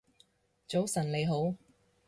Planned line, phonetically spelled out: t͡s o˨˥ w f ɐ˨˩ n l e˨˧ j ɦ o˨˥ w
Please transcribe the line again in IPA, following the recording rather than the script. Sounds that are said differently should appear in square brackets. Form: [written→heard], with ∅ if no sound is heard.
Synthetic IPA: t͡s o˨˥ w [f→s] ɐ˨˩ n l e˨˧ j ɦ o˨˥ w